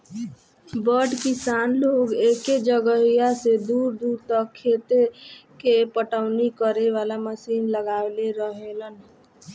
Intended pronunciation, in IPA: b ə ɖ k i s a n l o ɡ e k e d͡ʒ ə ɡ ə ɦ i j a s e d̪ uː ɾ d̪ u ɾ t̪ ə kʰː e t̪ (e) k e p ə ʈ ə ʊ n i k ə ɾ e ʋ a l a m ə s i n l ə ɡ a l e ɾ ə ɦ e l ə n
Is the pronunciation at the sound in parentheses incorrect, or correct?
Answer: correct